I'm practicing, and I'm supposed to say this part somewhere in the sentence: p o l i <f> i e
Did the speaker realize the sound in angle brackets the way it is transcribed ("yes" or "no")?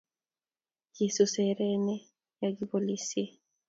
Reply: no